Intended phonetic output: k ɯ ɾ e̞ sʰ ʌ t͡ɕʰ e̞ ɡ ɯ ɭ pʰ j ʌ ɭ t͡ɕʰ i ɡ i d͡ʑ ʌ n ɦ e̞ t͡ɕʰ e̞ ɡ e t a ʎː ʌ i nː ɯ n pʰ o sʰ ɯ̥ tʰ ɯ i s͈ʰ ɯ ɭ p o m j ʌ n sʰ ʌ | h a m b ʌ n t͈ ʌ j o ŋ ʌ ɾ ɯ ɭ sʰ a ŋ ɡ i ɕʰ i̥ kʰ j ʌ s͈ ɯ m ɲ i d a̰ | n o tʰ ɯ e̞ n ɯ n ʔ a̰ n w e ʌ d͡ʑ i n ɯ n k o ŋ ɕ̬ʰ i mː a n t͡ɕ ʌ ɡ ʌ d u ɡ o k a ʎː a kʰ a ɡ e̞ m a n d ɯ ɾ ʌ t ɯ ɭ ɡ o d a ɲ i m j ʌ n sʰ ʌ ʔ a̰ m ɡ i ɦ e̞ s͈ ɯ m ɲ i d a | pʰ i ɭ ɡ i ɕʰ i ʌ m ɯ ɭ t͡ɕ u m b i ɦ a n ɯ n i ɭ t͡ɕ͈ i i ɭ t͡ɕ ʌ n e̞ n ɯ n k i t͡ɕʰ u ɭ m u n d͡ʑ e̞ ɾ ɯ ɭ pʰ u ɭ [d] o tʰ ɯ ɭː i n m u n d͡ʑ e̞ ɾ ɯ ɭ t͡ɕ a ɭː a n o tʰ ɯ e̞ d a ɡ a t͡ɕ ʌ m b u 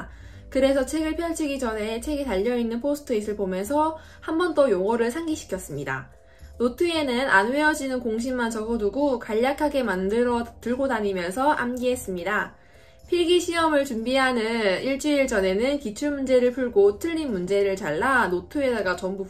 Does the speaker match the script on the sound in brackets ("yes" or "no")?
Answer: no